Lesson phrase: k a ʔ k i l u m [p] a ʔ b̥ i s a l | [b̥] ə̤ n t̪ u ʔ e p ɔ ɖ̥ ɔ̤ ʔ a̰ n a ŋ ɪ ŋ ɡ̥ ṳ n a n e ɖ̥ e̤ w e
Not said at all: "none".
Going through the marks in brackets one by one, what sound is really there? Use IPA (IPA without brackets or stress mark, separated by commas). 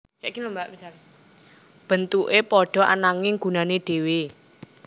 b, b̥